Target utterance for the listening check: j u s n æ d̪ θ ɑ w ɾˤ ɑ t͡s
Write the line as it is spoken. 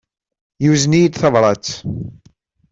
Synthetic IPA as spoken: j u z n i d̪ θ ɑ v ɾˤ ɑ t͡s